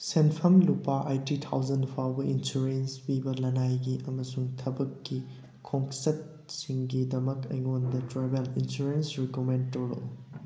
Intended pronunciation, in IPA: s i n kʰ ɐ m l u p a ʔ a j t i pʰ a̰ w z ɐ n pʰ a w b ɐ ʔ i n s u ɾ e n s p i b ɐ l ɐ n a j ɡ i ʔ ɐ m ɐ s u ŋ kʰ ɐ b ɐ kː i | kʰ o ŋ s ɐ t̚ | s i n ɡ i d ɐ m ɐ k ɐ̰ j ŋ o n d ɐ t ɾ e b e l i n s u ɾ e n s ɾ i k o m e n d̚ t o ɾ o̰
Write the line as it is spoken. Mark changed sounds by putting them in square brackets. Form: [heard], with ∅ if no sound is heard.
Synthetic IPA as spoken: s [e] n [pʰ] ɐ m l u p a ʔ a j t i [tʰ] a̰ w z ɐ n pʰ a w b ɐ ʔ i n s u ɾ e n s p i b ɐ l ɐ n a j ɡ i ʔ ɐ m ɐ s u ŋ [tʰ] ɐ b ɐ kː i | kʰ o ŋ s ɐ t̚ | s i [ŋ] ɡ i d ɐ m ɐ k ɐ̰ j ŋ o n d ɐ t ɾ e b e l i n s u ɾ e n s ɾ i k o m e n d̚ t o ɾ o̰

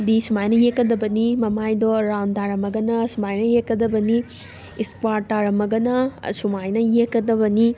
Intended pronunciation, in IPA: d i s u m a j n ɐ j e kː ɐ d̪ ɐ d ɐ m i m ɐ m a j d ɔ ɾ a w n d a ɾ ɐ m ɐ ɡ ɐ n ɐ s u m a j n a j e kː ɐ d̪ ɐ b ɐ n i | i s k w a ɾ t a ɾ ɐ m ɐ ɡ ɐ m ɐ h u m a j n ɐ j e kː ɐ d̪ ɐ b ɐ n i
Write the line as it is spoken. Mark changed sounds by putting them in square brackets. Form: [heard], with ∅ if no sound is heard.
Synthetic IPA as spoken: d i s u m a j n ɐ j e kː ɐ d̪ ɐ [b] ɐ [n] i m ɐ m a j d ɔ ɾ a w n d a ɾ ɐ m ɐ ɡ ɐ n ɐ s u m a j n [ɐ] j e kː ɐ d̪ ɐ b ɐ n i | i s k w a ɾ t a ɾ ɐ m ɐ ɡ ɐ [n] ɐ [s] u m a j n ɐ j e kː ɐ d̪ ɐ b ɐ n i

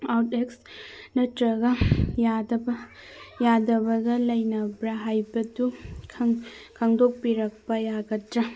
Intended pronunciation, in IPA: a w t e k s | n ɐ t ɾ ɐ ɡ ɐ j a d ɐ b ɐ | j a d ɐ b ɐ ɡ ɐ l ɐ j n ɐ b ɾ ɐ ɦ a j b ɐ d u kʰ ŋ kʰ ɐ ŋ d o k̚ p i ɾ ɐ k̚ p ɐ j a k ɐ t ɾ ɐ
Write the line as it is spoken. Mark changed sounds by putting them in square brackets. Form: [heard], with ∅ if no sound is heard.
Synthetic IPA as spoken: a w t e k s | n ɐ t ɾ ɐ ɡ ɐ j a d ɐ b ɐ | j a d ɐ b ɐ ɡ ɐ l ɐ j n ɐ b ɾ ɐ ɦ a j b ɐ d u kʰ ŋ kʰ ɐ ŋ d o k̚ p i ɾ ɐ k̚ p ɐ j a [ɡ] ɐ t ɾ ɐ

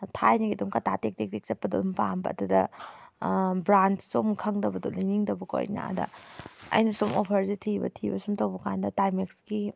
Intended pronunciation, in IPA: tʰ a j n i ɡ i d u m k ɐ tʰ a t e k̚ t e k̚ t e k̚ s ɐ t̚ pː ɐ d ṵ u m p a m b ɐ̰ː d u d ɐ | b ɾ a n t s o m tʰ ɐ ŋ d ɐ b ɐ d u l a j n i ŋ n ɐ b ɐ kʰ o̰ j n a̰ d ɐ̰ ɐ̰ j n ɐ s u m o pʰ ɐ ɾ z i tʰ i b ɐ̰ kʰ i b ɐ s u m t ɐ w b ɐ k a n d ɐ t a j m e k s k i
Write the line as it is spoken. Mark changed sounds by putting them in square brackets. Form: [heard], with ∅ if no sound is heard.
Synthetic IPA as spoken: tʰ a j n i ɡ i d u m k ɐ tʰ a t e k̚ t e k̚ t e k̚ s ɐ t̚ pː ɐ d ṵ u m p a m b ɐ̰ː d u d ɐ | b ɾ a n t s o m [kʰ] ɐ ŋ d ɐ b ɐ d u l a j n i ŋ [d] ɐ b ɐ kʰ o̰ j n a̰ d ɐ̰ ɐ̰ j n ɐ s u m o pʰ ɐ ɾ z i tʰ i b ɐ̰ [tʰ] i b ɐ s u m t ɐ w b ɐ k a n d ɐ t a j m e k s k i

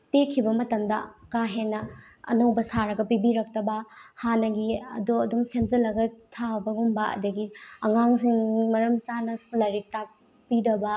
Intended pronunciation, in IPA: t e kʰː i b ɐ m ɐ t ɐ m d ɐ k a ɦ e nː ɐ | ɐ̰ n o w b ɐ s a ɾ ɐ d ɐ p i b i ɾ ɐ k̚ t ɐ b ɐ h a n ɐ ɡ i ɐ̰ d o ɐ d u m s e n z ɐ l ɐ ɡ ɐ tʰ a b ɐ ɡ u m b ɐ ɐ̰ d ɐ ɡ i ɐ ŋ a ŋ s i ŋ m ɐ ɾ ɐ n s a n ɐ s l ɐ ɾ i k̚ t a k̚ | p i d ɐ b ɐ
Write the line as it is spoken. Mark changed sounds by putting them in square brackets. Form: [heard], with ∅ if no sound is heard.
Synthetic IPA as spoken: t e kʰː i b ɐ m ɐ t ɐ m d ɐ k a ɦ e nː ɐ | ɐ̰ n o w b ɐ s a ɾ ɐ [ɡ] ɐ p i b i ɾ ɐ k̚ t ɐ b ɐ h a n ɐ ɡ i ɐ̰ d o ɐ d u m s e [m] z ɐ l ɐ ɡ ɐ tʰ a b ɐ ɡ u m b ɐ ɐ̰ d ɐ ɡ i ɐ ŋ a ŋ s i ŋ m ɐ ɾ ɐ [m] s a n ɐ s l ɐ ɾ i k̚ t a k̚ | p i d ɐ b ɐ

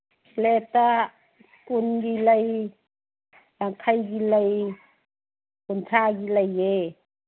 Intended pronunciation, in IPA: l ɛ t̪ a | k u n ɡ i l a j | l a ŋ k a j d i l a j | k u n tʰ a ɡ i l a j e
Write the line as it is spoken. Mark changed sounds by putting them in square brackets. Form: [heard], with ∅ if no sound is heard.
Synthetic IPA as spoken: l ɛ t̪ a | k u n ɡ i l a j | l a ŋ [kʰ] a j [ɡ] i l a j | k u n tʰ a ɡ i l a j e

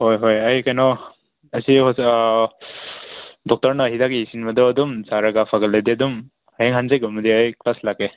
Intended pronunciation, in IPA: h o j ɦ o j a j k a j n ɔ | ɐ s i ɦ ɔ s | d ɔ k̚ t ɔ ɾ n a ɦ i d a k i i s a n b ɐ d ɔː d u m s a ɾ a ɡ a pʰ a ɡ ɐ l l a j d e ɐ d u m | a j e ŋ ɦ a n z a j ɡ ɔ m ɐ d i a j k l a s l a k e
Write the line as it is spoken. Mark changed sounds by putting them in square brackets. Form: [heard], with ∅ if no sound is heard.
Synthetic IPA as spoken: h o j ɦ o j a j k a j n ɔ | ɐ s i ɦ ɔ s | d ɔ k̚ t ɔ ɾ n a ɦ i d a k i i s [i] n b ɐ d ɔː d u m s a ɾ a ɡ a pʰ a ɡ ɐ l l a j d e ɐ d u m | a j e ŋ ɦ a n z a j ɡ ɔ m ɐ d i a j k l a s l a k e

